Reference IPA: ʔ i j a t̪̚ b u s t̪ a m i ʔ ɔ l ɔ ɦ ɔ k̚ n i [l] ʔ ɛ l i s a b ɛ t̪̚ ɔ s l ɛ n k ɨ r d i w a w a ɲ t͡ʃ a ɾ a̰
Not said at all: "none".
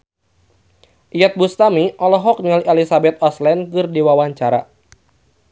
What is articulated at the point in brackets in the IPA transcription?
l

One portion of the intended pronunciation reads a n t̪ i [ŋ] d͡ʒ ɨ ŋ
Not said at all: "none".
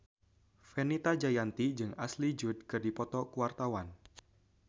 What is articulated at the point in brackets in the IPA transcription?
none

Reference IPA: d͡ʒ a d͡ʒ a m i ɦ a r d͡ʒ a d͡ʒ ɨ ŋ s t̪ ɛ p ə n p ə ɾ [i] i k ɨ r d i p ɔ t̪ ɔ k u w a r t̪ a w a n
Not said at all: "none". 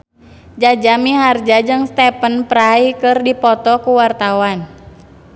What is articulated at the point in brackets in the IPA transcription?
a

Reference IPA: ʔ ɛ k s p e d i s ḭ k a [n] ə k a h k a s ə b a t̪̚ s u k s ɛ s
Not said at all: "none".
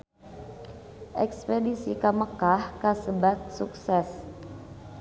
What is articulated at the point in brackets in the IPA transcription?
m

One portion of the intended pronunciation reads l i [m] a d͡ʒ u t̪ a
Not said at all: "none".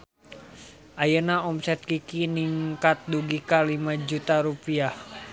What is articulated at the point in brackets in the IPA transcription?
m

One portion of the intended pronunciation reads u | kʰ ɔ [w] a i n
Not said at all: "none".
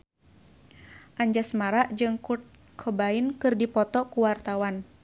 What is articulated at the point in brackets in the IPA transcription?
b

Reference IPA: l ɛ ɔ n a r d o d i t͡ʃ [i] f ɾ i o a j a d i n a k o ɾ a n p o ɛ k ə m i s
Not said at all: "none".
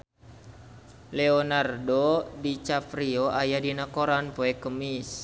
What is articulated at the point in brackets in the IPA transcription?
a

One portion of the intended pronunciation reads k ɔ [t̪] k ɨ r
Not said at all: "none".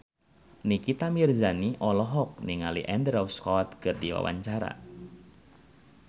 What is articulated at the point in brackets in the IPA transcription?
t̪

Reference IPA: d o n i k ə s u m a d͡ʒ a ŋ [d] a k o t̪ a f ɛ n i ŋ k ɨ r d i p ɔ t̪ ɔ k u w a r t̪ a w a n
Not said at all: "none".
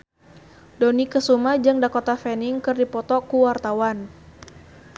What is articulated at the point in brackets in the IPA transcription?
d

